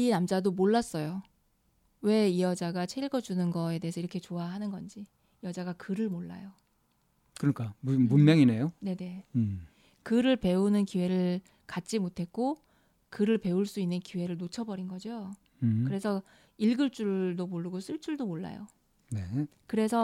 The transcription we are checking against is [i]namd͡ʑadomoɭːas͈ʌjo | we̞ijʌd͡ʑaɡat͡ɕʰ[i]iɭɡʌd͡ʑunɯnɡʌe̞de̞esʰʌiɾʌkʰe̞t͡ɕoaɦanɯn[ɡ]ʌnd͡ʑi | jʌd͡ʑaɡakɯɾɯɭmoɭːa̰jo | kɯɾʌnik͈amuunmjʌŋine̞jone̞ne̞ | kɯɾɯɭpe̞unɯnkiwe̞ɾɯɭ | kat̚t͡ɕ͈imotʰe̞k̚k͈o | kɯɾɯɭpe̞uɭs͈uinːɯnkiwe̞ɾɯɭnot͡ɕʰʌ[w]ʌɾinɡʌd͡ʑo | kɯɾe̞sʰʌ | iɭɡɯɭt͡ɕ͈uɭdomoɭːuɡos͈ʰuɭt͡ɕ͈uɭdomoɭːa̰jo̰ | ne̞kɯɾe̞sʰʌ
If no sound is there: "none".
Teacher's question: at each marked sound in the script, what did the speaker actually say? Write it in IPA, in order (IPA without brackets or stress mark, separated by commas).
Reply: i, e, ɡ, b